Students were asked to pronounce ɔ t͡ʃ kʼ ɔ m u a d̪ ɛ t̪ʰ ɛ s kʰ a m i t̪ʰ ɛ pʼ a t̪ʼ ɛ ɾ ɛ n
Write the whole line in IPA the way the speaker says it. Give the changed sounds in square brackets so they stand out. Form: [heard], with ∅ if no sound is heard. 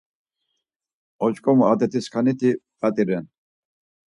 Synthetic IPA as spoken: ɔ t͡ʃ kʼ ɔ m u a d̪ ɛ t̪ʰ [i] s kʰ a [n] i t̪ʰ [i] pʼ a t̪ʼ [i] ɾ ɛ n